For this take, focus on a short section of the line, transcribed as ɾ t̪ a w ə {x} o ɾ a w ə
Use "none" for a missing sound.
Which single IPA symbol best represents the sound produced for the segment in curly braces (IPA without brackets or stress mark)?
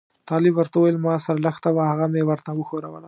x